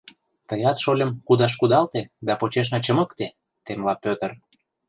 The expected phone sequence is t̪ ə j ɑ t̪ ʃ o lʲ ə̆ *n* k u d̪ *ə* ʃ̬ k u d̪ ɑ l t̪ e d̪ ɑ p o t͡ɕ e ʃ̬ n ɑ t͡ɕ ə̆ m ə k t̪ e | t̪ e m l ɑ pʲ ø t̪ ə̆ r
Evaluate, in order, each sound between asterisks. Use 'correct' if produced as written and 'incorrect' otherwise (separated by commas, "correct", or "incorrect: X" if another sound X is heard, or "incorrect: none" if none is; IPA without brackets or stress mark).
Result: incorrect: m, incorrect: ɑ